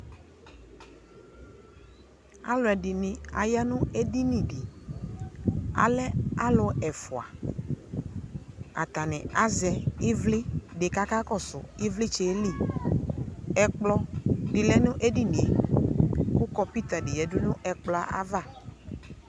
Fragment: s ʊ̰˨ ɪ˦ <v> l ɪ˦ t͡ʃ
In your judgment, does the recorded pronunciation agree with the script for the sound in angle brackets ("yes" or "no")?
yes